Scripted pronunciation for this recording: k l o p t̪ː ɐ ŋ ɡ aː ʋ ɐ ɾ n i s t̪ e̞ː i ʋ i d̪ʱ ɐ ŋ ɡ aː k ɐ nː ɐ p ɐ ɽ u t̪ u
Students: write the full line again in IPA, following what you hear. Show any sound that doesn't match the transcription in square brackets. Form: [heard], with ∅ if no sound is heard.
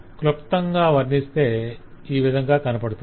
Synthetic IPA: k l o p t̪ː ɐ ŋ ɡ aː ʋ ɐ ɾ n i s t̪ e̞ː [iː] ʋ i d̪ʱ ɐ ŋ ɡ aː k ɐ [n] ɐ p ɐ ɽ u t̪ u